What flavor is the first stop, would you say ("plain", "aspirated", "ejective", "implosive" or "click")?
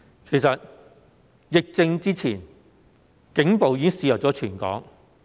aspirated